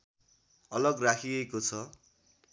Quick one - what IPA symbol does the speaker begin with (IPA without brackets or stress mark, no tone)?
ʌ